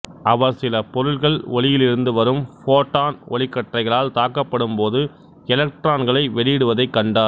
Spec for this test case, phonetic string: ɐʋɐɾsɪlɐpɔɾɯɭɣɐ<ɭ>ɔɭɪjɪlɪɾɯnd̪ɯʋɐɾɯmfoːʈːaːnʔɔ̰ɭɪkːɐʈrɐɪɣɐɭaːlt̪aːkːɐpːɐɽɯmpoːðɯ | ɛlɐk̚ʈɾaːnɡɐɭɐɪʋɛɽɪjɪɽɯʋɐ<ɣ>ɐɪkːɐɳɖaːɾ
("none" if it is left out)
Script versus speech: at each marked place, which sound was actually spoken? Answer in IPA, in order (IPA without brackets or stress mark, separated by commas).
ɭ, ð